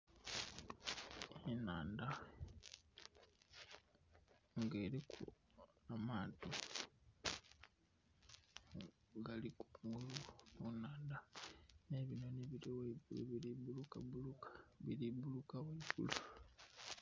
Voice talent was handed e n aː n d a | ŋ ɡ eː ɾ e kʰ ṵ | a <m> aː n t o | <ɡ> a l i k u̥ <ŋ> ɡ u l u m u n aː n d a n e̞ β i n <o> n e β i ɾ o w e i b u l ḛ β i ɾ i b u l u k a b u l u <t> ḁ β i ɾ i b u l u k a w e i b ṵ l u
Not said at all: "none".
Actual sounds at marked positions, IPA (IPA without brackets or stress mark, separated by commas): m, ɡ, ŋ, o, k